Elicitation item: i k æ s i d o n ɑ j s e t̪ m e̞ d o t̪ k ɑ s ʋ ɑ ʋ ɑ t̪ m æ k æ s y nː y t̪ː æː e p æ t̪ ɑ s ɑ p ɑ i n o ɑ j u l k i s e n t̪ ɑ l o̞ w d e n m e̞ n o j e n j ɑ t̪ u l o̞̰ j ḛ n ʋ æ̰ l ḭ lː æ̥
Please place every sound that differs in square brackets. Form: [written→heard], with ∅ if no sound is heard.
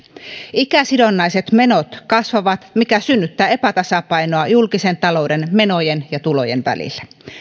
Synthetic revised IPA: i k æ s i d o [n→nː] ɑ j s e t̪ m e̞ [d→n] o t̪ k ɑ s ʋ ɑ ʋ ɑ t̪ m [æ→i] k æ s y nː y t̪ː æː e p æ t̪ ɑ s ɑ p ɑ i n o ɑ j u l k i s e n t̪ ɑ l o̞ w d e n m e̞ n o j e n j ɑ t̪ u l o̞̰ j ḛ n ʋ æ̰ l ḭ lː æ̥